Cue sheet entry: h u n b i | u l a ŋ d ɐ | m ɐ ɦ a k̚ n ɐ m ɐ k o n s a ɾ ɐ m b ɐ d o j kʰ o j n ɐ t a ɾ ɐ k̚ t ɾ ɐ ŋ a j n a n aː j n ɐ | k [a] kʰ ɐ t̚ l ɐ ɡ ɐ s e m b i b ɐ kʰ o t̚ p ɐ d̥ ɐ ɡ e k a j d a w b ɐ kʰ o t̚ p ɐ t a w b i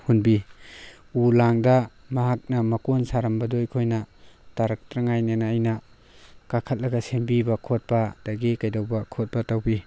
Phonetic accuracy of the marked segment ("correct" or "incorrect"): correct